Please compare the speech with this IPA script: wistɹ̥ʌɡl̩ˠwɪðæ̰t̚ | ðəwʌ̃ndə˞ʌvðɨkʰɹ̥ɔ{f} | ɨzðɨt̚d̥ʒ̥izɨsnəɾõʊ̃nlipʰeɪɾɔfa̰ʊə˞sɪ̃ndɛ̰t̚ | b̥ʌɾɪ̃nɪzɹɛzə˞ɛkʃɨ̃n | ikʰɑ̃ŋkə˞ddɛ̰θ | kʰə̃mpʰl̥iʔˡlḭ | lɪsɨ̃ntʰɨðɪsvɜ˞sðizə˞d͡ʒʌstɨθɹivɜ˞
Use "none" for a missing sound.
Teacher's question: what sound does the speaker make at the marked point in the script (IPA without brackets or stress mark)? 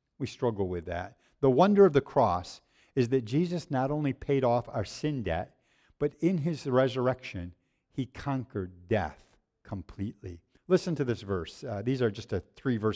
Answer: s